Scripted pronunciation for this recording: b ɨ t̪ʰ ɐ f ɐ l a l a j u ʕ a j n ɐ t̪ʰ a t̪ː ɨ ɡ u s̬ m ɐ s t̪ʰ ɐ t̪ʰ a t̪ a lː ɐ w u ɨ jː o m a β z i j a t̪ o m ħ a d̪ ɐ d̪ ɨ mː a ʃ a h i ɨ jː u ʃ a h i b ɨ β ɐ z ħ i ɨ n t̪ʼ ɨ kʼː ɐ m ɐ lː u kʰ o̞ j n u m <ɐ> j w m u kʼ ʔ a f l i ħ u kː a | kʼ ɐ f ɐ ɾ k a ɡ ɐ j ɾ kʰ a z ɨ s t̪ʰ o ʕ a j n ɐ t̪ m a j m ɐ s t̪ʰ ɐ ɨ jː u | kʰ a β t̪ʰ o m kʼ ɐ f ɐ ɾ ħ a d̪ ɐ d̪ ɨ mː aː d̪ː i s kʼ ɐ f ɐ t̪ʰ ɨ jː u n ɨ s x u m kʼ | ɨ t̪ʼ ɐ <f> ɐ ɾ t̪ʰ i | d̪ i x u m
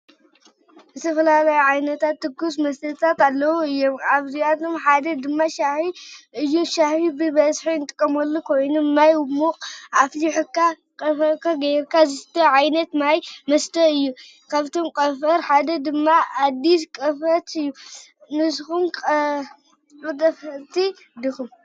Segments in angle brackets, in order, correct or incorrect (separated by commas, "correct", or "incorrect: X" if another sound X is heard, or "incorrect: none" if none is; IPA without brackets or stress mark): incorrect: a, correct